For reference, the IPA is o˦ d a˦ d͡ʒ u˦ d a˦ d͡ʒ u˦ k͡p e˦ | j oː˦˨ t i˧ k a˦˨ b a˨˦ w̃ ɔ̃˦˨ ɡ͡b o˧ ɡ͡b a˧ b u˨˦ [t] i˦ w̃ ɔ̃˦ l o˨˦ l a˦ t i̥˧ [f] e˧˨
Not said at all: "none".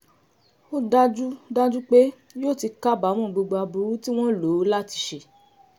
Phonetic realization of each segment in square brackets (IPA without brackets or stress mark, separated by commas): t, ʃ